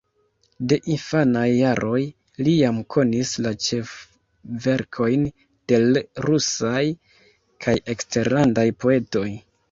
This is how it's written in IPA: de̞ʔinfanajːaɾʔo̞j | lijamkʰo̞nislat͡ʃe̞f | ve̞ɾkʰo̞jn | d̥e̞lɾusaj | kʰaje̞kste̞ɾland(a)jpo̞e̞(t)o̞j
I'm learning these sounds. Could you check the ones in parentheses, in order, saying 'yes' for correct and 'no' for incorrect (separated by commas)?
yes, yes